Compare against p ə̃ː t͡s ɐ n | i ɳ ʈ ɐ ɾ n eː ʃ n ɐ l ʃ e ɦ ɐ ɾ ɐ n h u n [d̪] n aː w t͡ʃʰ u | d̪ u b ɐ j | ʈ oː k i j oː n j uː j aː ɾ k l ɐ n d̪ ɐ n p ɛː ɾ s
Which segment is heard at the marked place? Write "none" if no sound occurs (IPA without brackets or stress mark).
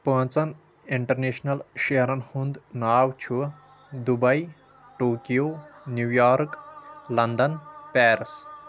d̪